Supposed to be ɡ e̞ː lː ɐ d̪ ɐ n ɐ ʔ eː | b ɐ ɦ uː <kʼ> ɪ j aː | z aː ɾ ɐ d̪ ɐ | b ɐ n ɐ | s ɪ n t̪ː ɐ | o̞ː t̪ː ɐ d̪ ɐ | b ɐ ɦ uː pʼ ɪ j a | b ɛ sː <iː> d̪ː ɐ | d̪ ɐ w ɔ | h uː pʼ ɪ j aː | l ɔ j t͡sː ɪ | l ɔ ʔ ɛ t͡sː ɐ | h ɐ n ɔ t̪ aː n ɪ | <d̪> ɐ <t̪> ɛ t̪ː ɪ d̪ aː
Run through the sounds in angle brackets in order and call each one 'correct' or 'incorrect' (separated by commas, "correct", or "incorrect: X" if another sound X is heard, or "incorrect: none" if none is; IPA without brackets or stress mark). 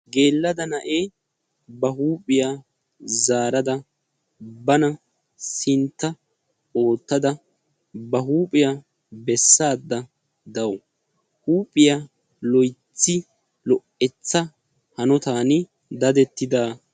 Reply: incorrect: pʼ, incorrect: aː, correct, incorrect: d̪